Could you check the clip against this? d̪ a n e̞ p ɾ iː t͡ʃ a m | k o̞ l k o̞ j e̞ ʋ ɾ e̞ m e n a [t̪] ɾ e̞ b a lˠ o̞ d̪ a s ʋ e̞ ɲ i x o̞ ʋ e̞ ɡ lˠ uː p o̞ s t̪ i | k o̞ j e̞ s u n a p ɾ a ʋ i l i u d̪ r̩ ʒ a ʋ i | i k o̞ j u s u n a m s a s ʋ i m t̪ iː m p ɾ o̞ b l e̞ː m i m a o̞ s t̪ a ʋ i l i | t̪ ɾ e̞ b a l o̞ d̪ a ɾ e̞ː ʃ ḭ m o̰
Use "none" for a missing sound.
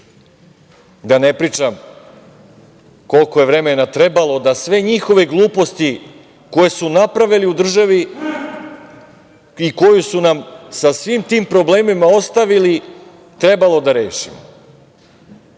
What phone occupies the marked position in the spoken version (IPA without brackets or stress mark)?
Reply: t̪